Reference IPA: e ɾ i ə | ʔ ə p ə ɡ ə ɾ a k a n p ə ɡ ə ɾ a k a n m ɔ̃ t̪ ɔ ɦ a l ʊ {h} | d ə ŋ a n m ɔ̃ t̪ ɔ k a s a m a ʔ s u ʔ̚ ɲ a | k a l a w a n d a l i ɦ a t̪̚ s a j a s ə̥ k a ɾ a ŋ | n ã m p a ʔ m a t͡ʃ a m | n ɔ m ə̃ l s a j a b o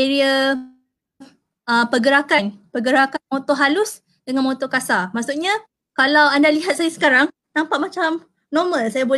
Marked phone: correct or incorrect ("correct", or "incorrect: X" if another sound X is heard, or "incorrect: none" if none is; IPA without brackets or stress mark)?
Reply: incorrect: s